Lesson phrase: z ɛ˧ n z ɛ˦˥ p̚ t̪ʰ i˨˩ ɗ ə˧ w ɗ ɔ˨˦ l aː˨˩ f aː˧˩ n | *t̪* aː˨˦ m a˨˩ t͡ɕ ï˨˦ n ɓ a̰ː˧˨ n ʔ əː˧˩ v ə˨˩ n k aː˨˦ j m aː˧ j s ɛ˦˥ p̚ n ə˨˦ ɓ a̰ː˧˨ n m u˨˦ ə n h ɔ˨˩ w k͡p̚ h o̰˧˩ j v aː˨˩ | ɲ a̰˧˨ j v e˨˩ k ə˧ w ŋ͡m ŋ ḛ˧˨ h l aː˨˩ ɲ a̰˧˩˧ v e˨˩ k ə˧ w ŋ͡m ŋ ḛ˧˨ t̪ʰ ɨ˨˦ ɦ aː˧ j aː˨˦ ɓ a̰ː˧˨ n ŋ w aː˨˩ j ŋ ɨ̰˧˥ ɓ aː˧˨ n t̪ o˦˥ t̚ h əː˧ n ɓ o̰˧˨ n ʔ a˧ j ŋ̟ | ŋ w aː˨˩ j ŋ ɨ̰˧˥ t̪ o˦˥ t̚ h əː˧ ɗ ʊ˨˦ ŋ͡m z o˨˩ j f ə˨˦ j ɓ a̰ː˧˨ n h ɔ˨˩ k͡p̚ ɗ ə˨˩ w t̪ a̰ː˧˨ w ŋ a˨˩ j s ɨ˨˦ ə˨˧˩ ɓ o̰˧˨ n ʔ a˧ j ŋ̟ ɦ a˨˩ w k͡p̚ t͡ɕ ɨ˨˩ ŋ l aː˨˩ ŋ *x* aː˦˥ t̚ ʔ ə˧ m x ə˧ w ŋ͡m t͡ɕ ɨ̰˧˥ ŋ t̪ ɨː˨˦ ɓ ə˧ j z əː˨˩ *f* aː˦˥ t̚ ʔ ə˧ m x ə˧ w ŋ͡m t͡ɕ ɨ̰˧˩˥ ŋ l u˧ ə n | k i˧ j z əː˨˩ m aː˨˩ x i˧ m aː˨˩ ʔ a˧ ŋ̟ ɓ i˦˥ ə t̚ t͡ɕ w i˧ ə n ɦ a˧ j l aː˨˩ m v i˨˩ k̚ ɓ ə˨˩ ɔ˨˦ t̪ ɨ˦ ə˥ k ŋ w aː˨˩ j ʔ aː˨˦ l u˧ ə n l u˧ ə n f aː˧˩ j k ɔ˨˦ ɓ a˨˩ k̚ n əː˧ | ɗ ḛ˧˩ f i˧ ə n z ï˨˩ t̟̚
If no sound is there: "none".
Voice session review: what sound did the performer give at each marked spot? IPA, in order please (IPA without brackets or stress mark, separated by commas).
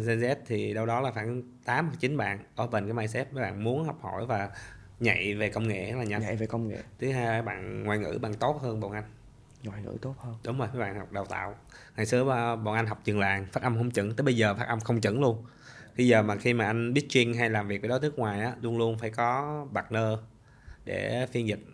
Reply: t̪, f, f